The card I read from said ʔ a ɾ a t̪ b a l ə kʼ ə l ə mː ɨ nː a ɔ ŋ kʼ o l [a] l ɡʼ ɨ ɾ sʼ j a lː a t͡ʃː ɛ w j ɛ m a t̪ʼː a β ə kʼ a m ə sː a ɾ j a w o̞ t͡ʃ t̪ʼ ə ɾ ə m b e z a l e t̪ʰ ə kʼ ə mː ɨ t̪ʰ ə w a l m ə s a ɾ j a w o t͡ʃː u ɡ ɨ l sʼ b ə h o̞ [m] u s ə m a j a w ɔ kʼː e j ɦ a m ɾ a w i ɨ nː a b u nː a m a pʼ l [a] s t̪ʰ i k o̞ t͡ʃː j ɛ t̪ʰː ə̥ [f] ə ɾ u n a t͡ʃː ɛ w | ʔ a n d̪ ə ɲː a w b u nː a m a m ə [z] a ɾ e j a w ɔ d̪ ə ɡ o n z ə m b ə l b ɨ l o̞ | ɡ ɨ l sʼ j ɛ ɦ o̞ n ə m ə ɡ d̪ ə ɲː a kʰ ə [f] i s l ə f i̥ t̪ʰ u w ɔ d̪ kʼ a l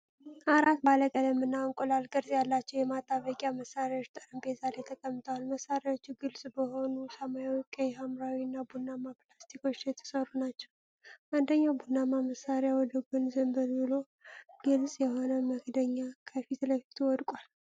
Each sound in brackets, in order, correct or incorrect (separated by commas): correct, incorrect, correct, incorrect, incorrect, correct